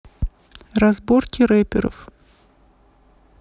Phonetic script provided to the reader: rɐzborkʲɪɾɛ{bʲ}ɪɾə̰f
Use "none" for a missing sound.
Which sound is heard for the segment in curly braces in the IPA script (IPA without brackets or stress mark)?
pʲ